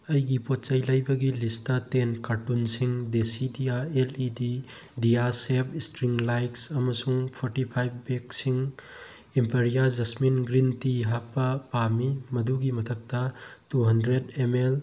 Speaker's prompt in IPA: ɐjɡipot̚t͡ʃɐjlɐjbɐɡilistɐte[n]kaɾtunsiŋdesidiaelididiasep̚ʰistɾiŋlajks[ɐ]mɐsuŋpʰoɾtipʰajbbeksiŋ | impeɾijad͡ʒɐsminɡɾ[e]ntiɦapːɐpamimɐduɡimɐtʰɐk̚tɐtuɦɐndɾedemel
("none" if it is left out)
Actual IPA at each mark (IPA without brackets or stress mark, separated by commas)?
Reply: n, ɐ, i